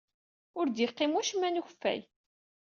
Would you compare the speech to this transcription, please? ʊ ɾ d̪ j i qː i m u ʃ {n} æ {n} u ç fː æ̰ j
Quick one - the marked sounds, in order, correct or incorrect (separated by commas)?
incorrect, correct